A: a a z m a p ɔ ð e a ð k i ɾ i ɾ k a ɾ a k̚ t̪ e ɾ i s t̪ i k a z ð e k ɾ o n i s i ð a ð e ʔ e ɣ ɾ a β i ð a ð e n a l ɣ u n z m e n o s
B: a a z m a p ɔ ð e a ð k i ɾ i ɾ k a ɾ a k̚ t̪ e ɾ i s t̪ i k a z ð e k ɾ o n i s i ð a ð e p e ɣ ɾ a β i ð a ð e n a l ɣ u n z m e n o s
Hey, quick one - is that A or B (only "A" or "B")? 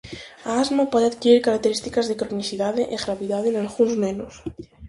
A